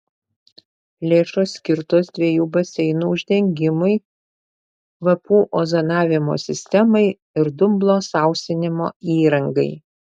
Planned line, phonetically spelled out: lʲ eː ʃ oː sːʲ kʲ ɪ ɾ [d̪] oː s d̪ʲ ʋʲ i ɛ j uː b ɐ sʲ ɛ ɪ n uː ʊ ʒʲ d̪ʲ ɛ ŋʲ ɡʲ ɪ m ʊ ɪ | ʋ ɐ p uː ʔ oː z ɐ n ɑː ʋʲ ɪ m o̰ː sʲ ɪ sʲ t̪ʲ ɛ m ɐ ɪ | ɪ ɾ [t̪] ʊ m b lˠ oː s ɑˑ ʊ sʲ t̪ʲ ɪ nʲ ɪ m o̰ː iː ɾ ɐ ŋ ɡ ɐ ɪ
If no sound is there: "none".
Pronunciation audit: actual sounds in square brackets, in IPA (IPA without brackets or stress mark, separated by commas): t̪, d̪